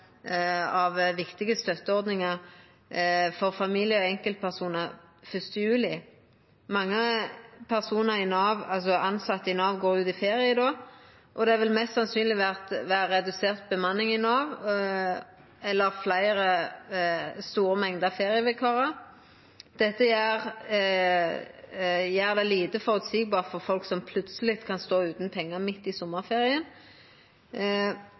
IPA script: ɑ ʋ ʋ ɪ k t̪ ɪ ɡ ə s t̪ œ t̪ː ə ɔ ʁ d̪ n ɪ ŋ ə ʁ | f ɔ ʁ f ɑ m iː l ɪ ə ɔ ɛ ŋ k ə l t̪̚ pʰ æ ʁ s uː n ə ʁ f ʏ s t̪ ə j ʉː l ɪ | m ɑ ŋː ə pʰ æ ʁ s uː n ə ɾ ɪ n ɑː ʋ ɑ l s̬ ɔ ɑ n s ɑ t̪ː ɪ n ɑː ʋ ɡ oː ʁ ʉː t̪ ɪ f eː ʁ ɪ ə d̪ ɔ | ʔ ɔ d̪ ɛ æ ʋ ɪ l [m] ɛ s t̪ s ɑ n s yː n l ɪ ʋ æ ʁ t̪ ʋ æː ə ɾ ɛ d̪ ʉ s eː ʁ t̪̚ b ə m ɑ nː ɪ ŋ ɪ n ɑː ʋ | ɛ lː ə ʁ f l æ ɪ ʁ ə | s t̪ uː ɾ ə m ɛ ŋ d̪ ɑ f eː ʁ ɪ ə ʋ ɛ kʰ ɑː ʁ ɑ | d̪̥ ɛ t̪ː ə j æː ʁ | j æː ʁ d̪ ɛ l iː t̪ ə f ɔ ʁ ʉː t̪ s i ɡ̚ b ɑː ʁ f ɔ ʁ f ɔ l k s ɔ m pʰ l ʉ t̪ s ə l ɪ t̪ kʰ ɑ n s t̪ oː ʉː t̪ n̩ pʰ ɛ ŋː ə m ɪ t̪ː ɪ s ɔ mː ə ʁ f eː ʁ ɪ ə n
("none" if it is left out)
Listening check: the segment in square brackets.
m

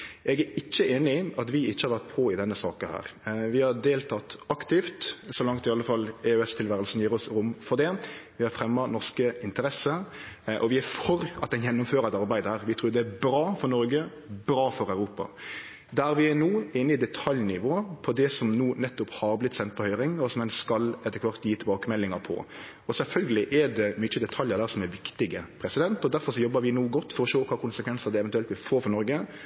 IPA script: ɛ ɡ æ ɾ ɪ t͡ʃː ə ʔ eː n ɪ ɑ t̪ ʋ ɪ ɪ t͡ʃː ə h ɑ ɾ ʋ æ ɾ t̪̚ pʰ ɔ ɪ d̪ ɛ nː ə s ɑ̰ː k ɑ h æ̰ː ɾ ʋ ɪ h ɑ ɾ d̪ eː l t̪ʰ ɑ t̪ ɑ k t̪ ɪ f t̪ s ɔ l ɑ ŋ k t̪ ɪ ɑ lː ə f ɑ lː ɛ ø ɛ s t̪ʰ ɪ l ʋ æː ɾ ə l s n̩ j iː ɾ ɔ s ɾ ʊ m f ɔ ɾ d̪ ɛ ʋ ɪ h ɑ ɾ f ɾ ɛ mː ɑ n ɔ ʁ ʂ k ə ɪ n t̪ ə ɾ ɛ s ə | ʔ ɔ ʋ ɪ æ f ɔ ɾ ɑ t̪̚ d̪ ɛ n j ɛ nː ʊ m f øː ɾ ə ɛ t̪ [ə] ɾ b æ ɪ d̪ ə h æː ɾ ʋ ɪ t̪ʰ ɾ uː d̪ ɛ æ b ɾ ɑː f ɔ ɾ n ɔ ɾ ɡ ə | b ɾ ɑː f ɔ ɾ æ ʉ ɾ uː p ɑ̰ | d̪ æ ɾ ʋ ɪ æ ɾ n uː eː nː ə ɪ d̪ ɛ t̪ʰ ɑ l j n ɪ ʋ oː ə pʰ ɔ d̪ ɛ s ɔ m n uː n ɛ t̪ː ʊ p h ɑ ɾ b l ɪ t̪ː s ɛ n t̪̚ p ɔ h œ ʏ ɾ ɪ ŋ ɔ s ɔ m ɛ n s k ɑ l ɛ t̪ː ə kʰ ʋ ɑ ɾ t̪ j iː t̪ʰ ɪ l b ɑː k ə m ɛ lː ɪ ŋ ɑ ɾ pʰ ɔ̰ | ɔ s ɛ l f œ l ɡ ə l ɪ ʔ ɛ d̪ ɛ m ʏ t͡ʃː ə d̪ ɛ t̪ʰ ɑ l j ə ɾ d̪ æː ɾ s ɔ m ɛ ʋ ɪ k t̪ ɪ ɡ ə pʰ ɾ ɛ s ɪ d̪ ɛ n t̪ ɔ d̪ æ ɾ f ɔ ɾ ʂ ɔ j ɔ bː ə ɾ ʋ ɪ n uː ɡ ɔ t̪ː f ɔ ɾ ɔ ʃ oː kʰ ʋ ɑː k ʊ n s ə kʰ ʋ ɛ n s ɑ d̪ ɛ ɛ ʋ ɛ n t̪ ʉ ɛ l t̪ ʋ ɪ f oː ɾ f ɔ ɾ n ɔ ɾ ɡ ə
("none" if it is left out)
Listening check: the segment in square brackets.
ɑ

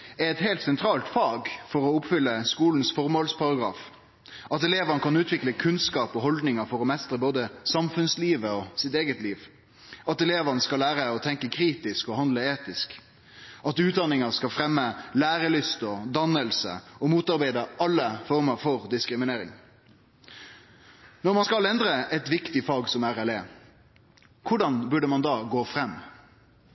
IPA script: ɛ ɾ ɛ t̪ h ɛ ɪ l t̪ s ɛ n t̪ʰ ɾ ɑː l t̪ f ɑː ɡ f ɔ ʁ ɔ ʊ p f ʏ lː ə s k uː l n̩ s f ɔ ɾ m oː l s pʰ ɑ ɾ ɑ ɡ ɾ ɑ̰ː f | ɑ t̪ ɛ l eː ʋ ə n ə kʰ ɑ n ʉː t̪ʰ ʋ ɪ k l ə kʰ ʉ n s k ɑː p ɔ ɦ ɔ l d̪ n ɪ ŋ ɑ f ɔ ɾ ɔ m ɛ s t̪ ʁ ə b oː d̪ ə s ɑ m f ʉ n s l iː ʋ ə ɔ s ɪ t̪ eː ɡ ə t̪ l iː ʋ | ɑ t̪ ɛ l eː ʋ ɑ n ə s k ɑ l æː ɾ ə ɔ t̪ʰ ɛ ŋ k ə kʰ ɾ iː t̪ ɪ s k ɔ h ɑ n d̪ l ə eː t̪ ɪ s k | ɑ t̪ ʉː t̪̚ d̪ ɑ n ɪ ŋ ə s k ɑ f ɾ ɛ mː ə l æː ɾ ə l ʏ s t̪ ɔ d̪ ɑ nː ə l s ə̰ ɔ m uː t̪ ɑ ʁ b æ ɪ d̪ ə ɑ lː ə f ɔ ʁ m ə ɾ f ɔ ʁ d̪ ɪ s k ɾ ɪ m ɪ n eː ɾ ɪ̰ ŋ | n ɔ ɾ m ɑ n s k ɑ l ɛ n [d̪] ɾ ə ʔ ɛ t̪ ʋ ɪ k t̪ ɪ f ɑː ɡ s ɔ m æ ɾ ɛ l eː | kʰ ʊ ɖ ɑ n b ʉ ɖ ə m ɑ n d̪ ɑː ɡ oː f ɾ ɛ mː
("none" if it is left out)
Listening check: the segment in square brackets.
d̪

